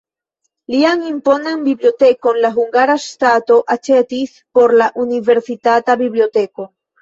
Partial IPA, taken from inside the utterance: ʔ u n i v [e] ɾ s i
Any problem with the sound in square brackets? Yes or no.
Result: no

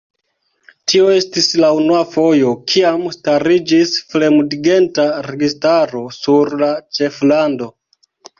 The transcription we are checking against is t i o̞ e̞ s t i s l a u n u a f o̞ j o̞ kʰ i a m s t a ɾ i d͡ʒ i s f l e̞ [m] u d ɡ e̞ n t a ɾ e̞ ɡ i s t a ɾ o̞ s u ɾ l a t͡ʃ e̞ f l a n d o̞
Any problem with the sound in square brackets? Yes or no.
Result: no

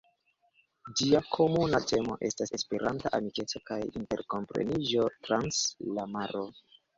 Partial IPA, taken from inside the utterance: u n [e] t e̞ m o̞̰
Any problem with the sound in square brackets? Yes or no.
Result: yes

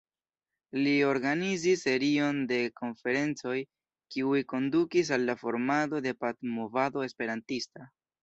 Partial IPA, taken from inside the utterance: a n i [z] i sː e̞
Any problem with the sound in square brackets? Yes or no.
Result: no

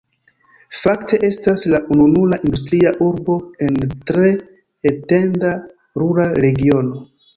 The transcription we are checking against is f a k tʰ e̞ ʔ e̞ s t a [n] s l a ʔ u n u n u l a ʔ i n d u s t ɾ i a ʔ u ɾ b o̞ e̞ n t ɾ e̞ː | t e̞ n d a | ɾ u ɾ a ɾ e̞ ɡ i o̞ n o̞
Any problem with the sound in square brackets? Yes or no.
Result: yes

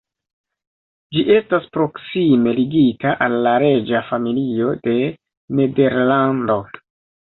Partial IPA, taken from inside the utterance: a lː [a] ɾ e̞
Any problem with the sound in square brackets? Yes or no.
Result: no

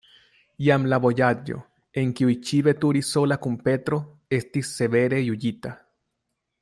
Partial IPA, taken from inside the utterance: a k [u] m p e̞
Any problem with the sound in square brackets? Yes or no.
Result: no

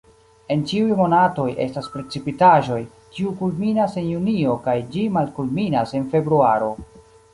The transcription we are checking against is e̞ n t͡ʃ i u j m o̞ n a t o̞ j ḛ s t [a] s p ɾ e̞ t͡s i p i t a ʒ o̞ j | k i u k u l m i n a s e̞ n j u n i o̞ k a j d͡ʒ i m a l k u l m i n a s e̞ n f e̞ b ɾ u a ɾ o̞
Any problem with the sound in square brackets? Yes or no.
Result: no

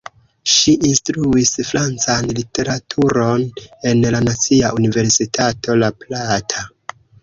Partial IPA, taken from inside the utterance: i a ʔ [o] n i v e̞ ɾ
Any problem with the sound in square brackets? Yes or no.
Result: yes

